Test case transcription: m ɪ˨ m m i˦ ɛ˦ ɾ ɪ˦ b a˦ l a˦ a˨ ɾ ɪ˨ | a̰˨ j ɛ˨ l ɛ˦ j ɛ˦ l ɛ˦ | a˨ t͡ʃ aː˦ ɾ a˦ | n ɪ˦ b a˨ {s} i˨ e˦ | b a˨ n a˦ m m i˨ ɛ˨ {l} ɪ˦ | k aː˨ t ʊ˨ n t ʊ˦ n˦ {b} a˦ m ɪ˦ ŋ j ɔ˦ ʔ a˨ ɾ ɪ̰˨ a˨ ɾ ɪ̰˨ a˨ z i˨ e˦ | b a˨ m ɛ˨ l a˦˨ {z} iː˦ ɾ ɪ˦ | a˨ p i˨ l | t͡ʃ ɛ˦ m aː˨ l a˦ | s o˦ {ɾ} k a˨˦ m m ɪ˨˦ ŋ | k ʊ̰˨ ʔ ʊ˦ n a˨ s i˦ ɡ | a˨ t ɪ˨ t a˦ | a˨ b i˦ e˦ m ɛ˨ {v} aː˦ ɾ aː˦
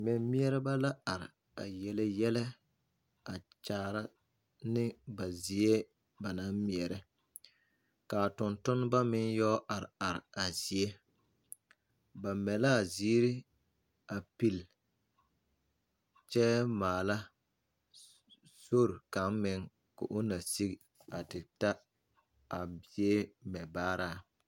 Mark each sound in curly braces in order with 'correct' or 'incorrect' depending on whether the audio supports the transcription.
incorrect, incorrect, correct, correct, correct, incorrect

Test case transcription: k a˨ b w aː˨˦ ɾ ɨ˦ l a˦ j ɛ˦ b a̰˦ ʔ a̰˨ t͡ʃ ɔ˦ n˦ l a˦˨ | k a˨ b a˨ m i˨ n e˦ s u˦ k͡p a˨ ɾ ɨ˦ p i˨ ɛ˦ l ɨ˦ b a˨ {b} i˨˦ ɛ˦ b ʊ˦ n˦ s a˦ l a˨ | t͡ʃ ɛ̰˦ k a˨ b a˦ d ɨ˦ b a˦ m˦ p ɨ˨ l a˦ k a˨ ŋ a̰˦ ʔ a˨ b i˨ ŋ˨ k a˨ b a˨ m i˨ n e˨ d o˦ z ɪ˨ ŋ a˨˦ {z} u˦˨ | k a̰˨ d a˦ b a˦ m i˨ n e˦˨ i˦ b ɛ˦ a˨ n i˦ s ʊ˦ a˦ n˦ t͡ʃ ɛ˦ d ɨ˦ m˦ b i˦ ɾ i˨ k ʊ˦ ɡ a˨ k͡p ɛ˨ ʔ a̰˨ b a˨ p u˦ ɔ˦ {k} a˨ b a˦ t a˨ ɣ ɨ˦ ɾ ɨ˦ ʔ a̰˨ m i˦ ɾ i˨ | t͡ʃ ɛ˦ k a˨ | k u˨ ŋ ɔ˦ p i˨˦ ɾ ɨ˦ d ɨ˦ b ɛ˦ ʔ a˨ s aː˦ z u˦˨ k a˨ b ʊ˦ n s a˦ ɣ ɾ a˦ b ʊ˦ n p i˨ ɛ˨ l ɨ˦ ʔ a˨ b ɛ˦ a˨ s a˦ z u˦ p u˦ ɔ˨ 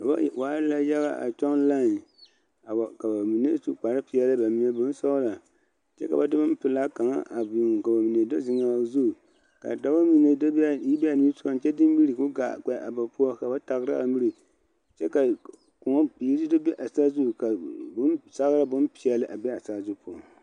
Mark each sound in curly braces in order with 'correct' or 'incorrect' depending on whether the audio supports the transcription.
incorrect, correct, correct

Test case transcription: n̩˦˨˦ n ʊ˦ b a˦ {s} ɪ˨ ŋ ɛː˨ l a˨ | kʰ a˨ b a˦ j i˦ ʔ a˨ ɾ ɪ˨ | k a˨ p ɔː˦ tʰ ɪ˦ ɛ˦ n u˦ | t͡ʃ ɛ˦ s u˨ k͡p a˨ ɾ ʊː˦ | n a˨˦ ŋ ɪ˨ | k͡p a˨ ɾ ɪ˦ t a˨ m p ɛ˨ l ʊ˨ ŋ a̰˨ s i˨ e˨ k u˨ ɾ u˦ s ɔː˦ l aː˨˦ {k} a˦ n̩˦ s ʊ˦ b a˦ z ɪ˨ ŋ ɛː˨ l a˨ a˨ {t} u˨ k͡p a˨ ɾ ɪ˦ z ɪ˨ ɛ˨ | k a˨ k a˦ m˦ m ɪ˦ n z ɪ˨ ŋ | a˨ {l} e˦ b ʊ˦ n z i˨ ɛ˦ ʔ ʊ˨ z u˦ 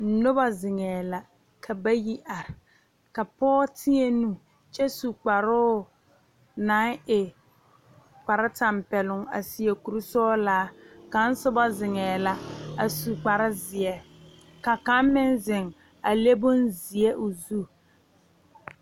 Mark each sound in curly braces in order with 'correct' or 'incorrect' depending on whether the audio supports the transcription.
incorrect, correct, incorrect, correct

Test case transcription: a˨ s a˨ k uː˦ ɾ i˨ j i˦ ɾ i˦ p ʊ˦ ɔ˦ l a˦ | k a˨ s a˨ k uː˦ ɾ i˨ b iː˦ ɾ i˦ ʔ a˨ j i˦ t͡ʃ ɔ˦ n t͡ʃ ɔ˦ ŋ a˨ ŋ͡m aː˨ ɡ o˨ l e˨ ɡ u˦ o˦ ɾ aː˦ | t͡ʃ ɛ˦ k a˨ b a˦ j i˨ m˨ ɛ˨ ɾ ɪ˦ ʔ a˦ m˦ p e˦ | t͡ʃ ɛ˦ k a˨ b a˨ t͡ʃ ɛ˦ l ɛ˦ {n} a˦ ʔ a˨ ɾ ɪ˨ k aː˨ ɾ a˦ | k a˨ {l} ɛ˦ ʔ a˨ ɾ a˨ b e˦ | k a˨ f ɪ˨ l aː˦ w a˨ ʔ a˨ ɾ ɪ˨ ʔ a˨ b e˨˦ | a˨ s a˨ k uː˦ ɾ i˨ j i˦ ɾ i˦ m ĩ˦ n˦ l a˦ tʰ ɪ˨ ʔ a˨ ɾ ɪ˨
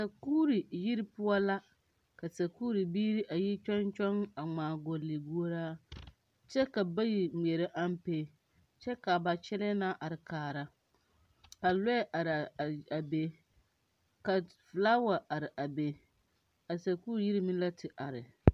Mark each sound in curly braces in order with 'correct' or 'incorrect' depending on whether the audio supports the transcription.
correct, correct

